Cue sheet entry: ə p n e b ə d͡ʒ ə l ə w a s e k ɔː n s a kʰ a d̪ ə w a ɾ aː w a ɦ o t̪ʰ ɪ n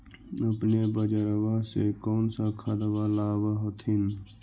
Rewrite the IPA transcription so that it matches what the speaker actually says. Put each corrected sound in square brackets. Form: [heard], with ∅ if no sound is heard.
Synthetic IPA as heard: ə p n e b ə d͡ʒ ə [ɾ] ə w a s e k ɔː n s a kʰ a d̪ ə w a [l] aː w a ɦ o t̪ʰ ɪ n